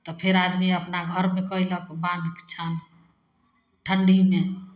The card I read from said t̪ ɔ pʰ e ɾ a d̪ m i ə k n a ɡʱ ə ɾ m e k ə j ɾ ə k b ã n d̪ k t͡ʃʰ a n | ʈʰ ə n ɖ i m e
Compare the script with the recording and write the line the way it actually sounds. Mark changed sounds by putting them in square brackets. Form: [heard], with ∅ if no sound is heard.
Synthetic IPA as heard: t̪ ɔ pʰ e ɾ a d̪ m i ə [p] n a ɡʱ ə ɾ m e k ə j [l] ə k b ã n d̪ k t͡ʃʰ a n | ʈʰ ə [ɳ] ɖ i m e